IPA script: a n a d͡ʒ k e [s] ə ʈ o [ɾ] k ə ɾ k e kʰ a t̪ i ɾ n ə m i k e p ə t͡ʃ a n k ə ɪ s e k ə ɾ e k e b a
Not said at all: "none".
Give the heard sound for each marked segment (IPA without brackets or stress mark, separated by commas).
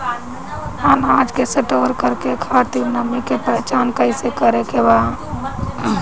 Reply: s, ɾ